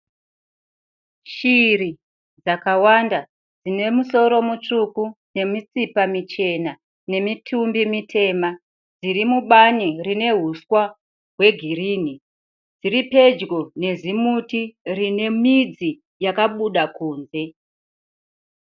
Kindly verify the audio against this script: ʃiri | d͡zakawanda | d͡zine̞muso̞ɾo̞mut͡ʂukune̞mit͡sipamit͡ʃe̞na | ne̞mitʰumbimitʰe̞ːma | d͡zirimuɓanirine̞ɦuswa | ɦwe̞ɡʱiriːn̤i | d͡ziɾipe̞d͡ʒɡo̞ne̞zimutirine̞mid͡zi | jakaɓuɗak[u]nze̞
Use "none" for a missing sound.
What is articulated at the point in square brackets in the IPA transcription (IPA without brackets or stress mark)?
uː